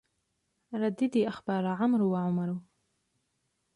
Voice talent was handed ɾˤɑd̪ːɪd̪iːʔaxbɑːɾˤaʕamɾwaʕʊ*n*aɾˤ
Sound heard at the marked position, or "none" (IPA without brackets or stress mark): m